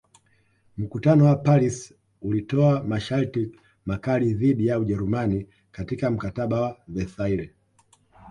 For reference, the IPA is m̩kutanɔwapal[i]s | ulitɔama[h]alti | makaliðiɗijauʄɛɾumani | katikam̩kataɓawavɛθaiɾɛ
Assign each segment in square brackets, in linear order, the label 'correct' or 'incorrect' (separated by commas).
correct, incorrect